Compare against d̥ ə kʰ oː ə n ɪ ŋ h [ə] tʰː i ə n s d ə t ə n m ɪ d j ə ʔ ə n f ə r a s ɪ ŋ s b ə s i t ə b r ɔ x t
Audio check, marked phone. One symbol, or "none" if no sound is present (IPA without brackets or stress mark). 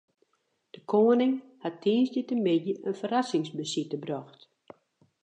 a